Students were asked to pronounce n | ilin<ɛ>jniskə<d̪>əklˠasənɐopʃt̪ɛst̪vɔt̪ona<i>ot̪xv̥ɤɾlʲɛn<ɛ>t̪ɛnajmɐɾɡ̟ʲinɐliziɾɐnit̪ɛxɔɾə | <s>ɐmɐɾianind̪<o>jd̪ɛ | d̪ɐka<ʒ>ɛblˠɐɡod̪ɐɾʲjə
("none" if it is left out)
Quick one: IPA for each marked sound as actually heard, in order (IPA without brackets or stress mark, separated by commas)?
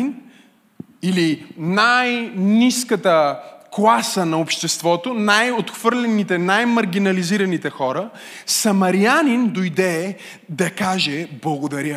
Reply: a, t̪, j, i, s, o, ʒ